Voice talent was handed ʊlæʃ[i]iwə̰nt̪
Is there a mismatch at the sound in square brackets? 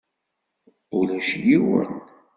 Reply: yes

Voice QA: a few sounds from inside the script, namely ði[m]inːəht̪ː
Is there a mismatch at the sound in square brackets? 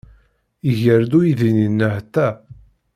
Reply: yes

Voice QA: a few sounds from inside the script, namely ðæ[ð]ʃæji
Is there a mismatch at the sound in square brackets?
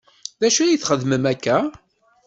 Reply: yes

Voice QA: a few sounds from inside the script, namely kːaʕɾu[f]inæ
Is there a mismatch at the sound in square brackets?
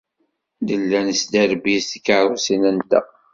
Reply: yes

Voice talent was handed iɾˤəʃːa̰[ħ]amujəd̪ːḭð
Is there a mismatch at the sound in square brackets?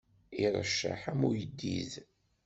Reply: no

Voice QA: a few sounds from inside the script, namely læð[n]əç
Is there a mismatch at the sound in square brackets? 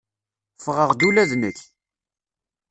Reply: no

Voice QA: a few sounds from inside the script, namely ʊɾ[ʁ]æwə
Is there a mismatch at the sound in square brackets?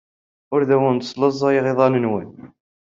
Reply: yes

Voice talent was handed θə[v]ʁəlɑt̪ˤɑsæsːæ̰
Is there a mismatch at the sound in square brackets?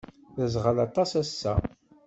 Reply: yes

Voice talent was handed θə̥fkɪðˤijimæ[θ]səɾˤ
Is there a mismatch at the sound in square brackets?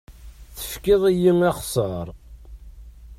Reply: yes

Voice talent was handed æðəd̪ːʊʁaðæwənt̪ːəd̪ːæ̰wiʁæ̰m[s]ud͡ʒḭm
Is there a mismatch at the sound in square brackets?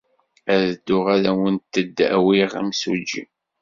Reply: no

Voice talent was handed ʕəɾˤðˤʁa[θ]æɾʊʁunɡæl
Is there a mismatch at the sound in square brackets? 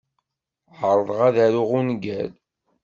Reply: yes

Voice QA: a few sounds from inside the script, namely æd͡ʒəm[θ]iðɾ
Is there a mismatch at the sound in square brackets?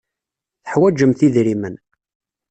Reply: no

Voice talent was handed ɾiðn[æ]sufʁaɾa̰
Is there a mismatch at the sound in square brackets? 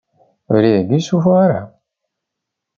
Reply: yes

